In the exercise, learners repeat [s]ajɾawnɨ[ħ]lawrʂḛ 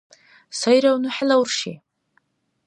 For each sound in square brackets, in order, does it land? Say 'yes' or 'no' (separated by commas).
yes, yes